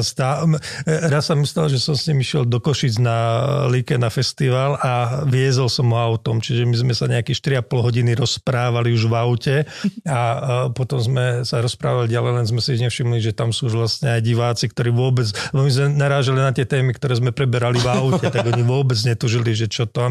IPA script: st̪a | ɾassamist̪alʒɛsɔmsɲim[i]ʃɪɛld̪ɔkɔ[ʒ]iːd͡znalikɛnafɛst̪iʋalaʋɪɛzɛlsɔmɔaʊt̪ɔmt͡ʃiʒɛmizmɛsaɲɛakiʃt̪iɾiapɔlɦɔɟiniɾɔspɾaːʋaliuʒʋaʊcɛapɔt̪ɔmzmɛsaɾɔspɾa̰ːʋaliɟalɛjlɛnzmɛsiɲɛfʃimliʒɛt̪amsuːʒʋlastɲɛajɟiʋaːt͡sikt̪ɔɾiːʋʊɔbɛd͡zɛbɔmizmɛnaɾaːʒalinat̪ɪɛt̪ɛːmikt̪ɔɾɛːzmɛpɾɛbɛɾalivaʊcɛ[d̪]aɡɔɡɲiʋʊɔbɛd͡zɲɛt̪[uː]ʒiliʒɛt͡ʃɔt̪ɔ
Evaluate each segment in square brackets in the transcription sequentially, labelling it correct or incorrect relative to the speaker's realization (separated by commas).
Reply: correct, incorrect, incorrect, incorrect